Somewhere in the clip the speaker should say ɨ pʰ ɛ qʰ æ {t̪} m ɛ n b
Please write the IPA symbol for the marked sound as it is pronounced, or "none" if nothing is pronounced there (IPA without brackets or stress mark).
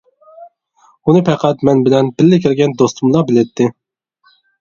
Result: t̪